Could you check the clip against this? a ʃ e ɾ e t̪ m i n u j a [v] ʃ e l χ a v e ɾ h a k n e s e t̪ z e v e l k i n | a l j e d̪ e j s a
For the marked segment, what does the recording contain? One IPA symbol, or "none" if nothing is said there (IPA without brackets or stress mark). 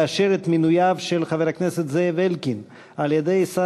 v